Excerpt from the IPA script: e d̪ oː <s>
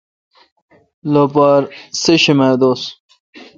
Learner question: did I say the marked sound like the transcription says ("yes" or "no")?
yes